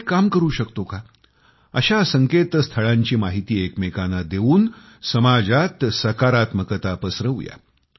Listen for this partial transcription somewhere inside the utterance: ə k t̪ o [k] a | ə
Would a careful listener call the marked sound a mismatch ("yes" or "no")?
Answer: no